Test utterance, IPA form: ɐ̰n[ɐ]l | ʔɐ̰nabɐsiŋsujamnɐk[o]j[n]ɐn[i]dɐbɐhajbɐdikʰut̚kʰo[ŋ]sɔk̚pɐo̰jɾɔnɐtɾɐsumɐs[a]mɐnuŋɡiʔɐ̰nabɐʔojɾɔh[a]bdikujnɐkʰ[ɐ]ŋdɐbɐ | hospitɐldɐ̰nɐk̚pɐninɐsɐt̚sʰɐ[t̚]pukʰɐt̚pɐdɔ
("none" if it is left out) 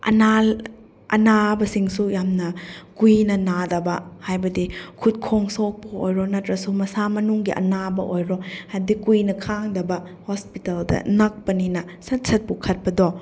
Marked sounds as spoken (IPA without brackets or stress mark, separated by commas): a, u, n, a, ŋ, a, a, a, t̚